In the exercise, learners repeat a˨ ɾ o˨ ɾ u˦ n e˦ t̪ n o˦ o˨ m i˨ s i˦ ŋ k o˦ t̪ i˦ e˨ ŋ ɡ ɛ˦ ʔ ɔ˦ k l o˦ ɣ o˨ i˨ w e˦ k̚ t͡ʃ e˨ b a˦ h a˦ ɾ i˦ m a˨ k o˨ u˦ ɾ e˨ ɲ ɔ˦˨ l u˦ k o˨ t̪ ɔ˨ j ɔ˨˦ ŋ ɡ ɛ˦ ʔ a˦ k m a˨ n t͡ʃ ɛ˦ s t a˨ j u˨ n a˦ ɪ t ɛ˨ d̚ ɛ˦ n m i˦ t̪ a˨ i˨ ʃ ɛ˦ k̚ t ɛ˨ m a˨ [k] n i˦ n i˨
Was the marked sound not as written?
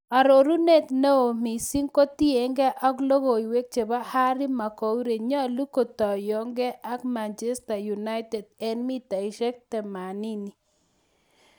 yes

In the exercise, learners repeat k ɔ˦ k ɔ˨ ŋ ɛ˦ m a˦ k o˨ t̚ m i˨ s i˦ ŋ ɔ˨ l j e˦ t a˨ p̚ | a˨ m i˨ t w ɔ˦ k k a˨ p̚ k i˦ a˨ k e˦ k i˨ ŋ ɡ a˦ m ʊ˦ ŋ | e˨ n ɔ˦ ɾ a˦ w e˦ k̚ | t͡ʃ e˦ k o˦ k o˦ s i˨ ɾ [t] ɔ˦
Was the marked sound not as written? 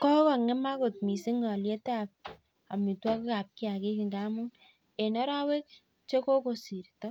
no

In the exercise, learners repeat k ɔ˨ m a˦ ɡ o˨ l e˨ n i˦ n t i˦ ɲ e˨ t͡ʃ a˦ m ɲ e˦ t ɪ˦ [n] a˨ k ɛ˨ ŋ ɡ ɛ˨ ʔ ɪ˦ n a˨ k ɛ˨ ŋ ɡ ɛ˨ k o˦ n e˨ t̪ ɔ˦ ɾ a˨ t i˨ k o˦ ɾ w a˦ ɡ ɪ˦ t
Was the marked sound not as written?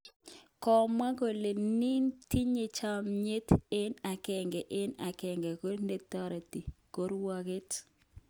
no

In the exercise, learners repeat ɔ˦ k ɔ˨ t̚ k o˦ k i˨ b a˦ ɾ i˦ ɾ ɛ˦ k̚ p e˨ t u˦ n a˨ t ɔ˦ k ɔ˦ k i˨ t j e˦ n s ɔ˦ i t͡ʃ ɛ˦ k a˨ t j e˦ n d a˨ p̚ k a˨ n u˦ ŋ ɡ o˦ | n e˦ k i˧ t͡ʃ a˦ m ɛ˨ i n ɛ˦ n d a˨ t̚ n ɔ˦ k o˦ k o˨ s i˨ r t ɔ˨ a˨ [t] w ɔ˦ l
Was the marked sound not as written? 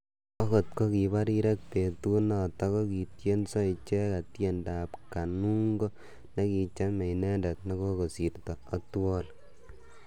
no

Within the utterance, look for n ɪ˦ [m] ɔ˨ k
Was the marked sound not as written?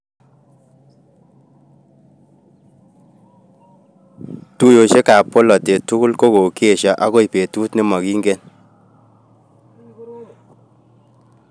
no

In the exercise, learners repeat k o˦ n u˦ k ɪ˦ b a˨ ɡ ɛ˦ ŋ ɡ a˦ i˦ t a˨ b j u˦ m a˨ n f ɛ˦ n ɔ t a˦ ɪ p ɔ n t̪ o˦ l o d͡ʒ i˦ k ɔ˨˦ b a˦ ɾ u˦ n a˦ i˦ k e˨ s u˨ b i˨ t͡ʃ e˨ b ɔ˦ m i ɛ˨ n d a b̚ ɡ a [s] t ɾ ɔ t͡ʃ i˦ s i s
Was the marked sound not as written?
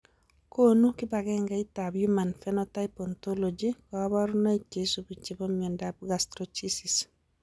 no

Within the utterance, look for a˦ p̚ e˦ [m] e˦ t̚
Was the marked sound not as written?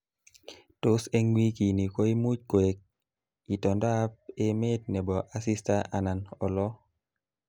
no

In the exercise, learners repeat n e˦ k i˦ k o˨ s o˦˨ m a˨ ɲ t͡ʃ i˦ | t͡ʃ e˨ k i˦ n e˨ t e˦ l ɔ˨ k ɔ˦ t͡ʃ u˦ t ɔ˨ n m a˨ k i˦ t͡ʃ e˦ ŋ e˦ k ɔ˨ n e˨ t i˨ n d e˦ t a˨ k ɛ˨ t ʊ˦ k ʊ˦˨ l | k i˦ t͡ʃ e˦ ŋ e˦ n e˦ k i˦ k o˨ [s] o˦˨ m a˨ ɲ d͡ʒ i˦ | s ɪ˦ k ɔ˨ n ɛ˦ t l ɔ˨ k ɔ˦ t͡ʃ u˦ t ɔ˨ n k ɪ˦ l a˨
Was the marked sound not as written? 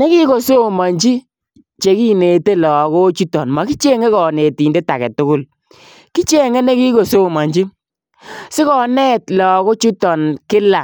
no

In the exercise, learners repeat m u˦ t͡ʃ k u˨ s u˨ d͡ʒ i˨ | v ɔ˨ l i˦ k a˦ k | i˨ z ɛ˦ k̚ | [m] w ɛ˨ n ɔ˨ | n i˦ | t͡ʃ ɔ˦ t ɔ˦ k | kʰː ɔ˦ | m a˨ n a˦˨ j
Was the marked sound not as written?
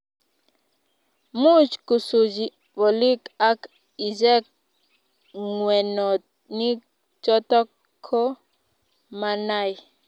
yes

